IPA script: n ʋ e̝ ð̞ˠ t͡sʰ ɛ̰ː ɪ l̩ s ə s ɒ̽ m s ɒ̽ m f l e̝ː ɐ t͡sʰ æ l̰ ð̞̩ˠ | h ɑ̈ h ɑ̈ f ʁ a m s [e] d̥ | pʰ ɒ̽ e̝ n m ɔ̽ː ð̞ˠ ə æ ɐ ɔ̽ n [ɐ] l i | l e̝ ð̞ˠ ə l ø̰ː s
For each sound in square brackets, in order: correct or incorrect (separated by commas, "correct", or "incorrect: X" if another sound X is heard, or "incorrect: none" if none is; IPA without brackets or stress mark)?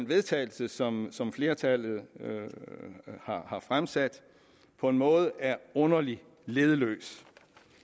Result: incorrect: æ, correct